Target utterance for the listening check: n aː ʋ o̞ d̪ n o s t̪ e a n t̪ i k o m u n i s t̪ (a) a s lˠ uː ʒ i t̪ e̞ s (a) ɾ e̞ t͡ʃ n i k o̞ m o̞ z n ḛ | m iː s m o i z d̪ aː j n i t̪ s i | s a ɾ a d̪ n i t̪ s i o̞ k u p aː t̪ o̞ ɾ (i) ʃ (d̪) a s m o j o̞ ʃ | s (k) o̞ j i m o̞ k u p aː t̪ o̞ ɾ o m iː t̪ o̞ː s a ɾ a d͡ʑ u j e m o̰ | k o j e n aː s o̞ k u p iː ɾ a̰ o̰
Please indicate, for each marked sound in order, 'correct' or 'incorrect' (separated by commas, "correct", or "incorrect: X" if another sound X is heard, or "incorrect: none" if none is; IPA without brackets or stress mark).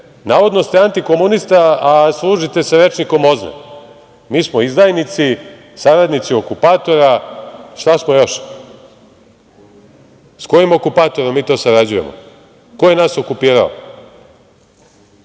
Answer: correct, correct, incorrect: a, incorrect: t̪, correct